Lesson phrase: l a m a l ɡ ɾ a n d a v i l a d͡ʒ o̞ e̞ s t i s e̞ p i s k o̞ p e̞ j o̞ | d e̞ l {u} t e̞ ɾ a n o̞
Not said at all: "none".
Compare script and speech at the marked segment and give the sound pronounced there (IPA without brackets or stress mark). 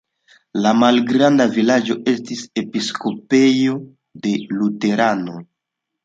u